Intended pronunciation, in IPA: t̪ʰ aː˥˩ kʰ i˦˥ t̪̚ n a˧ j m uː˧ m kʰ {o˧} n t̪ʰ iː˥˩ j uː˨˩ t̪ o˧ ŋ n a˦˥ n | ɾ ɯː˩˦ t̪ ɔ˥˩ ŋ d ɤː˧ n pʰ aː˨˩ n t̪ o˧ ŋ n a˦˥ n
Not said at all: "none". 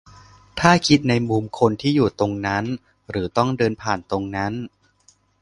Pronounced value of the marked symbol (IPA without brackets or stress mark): o˧